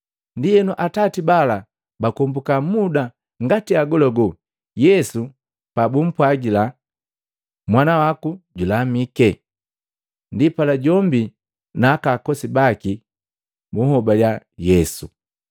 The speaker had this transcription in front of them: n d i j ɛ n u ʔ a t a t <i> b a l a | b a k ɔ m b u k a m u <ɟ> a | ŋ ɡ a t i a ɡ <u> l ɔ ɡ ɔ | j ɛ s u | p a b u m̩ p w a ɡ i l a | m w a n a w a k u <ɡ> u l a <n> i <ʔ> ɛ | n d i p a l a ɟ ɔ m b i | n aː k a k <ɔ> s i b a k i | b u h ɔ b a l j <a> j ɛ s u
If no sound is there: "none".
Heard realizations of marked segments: i, d, ɔ, ɟ, m, k, ɔ, a

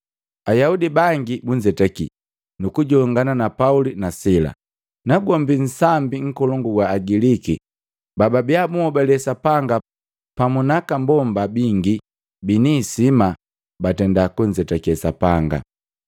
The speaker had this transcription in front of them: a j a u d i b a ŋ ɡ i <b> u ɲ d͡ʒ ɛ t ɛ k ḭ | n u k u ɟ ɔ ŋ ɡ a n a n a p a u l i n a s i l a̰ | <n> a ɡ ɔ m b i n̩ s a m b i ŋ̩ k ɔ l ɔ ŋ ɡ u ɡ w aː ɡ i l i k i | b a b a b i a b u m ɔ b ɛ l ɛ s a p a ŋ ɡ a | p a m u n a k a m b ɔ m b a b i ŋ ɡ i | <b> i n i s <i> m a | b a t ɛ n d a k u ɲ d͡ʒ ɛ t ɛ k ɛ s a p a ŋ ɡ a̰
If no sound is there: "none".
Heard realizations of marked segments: b, n, b, i

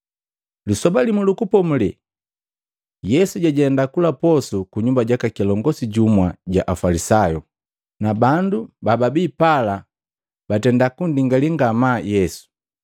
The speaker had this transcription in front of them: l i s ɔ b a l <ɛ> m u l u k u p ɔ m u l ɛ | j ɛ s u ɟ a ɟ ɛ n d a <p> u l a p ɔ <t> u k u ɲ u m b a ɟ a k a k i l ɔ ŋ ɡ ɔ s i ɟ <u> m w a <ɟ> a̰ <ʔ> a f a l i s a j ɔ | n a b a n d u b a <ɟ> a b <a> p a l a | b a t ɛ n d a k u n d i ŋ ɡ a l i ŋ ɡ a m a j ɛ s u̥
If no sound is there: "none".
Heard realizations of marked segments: i, k, s, u, ɟ, ʔ, b, i

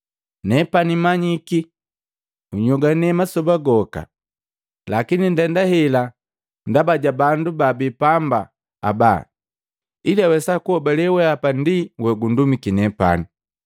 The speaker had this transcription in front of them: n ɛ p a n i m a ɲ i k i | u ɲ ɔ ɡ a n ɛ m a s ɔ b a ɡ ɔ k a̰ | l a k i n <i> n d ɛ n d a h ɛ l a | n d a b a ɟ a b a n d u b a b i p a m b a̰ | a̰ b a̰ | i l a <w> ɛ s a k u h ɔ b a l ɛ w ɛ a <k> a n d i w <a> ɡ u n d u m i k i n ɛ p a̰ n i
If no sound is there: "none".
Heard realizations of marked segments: i, w, p, ɛ

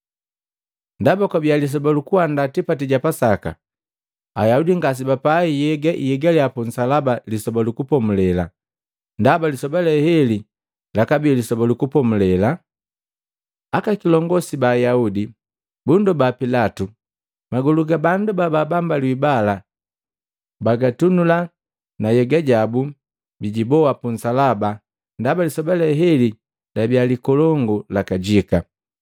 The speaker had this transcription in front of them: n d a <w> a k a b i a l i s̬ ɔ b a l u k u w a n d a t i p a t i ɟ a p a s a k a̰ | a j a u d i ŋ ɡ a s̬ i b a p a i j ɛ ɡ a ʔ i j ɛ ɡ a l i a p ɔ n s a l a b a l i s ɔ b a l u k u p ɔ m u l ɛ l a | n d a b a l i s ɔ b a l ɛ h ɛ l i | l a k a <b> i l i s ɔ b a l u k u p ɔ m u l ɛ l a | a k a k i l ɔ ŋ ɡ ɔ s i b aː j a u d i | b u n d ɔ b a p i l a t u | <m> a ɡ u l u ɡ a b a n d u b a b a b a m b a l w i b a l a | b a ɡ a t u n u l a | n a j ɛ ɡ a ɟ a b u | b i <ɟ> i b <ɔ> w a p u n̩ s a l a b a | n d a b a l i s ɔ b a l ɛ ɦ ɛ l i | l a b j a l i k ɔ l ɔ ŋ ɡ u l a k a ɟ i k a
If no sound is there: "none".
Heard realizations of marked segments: b, b, m, ɟ, ɔ

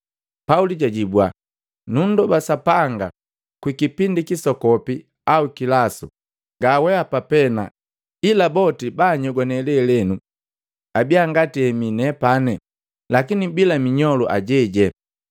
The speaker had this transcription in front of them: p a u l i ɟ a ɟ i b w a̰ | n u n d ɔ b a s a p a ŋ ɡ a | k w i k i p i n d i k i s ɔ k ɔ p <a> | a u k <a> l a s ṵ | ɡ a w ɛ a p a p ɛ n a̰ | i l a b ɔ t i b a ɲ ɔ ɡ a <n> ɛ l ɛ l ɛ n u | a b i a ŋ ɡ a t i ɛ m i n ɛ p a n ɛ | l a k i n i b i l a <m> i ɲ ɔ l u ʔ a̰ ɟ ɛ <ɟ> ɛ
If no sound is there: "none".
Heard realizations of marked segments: i, i, n, m, ɟ

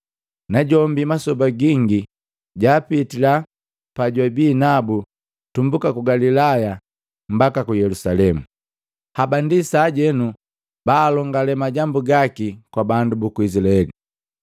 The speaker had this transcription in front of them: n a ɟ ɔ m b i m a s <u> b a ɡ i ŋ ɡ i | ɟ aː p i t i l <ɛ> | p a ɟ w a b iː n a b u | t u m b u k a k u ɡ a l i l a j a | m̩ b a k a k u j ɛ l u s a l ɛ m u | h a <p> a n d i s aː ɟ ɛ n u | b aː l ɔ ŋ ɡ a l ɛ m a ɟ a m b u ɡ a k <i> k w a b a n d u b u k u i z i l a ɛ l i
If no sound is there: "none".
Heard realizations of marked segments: ɔ, a, b, i

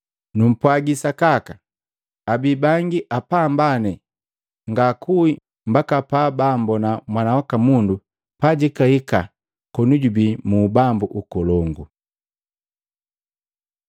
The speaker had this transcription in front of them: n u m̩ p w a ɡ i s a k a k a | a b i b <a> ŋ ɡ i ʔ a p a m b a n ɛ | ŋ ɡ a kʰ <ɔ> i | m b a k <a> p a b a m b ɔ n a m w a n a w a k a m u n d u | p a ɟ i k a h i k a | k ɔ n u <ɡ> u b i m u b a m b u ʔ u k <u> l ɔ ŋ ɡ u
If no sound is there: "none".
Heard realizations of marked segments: a, u, a, ɟ, ɔ

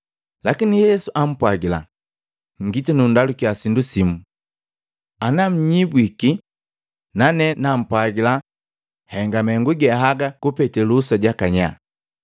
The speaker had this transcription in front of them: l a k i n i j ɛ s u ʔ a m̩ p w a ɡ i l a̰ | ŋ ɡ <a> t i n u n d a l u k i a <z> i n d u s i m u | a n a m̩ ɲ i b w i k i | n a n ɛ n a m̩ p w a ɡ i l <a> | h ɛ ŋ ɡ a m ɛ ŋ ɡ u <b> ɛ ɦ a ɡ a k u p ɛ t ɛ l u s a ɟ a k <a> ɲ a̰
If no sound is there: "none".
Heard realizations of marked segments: i, s, a, ɡ, a

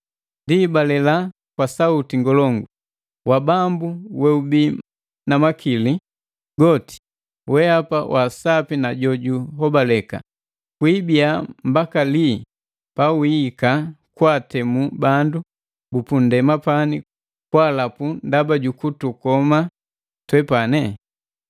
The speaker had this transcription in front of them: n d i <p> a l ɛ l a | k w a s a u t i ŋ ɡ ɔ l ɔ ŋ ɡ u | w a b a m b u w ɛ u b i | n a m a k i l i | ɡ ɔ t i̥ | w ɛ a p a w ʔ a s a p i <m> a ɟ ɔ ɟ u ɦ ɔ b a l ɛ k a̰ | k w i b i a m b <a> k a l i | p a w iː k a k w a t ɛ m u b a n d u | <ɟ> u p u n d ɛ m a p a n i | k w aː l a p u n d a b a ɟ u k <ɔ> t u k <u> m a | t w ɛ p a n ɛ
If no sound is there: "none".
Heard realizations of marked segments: b, n, a, b, u, ɔ

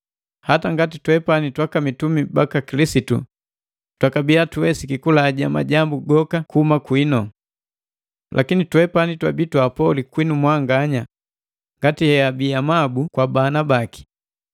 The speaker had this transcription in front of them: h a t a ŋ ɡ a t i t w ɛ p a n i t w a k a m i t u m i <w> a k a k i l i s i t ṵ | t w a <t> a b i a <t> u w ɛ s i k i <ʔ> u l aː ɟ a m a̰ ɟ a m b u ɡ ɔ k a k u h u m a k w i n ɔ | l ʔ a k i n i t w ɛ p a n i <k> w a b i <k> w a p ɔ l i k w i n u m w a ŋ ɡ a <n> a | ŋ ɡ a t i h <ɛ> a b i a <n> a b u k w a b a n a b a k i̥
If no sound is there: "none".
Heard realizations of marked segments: b, k, t, k, t, t, ɲ, ɛ, m

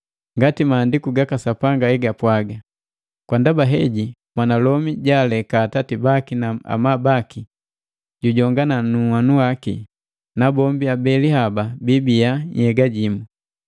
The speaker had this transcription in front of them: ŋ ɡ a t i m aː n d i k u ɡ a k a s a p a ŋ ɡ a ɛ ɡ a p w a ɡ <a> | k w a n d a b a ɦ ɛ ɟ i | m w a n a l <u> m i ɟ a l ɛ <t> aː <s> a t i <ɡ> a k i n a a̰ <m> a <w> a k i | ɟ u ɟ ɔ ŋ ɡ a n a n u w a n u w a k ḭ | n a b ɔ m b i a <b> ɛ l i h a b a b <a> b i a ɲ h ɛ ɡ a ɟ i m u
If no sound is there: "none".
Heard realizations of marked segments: a, ɔ, k, t, b, m, b, b, i

